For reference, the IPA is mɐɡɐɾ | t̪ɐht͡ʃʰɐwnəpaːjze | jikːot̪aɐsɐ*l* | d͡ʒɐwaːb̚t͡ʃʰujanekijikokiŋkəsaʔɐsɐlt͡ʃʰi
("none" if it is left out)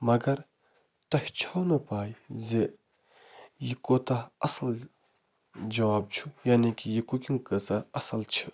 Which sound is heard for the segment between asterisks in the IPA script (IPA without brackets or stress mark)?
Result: l